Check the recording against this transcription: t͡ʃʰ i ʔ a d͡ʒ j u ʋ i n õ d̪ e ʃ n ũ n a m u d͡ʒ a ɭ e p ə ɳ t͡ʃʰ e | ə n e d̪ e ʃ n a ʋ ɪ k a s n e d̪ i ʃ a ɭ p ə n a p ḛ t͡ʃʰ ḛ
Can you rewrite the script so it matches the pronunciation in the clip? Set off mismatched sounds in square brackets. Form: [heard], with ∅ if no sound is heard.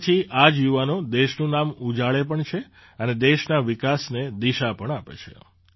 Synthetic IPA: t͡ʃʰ i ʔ a d͡ʒ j u ʋ [a] n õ d̪ e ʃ n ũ n a m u d͡ʒ a ɭ e p ə ɳ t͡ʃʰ e | ə n e d̪ e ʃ n a ʋ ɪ k a s n e d̪ i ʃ a [∅] p ə [ɳ] a p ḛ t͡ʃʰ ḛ